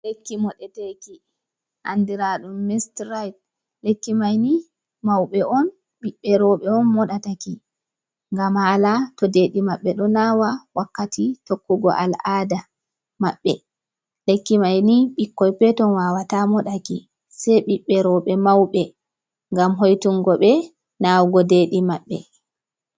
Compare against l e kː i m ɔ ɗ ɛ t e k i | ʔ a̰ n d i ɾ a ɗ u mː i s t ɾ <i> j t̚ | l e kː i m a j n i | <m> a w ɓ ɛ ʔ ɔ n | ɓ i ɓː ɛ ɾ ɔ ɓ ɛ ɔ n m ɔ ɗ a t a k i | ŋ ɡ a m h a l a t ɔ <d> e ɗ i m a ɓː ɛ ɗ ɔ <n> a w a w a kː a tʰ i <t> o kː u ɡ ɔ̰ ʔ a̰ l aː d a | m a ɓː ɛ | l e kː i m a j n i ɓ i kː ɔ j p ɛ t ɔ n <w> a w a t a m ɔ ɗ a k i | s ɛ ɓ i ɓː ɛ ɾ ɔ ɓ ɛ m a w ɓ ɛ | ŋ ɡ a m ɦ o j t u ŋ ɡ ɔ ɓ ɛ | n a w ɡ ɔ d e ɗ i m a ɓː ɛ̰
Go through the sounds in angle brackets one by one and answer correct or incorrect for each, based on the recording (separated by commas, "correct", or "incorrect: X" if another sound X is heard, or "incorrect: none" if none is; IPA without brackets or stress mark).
incorrect: a, correct, correct, correct, correct, correct